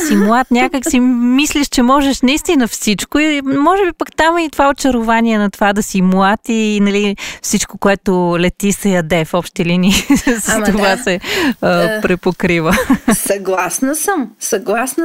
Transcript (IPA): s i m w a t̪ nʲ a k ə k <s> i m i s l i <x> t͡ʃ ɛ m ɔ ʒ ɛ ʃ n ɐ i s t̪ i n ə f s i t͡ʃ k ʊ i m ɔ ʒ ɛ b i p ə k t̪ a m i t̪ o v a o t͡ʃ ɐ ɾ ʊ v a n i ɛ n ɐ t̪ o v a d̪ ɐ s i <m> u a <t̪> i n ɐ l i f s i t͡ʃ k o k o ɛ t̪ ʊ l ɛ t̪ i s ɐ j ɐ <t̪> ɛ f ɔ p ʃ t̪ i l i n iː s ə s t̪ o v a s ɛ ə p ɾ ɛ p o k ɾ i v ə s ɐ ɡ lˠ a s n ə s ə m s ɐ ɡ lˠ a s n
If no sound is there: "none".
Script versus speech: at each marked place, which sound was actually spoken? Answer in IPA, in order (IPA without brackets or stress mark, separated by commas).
s, ʃ, m, t̪, d̪